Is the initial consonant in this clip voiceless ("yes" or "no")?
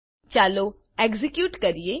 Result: yes